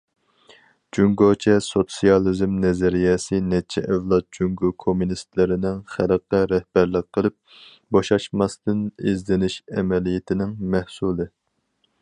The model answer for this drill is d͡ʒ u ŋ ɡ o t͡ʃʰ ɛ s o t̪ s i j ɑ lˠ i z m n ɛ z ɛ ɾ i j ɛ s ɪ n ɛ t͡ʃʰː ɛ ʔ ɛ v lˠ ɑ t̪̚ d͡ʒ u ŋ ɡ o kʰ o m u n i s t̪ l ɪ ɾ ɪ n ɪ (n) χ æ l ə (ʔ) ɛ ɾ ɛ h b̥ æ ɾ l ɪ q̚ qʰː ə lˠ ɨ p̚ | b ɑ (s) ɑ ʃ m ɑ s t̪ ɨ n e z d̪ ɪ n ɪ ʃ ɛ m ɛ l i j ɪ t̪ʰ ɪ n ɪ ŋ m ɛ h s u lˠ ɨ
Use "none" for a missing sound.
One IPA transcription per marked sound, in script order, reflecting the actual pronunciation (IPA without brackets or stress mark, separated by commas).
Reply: ŋ, q, ʃ